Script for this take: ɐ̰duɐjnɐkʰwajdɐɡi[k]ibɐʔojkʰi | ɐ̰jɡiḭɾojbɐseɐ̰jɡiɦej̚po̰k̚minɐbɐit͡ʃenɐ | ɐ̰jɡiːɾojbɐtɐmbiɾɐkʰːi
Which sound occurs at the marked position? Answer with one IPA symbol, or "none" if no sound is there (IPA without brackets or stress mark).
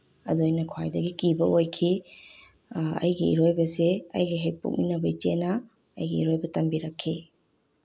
k